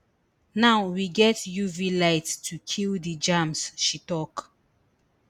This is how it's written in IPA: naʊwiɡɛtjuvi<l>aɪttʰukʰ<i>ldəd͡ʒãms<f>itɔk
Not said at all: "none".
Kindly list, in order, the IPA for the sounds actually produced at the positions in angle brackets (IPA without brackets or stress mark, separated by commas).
l, i, ʃ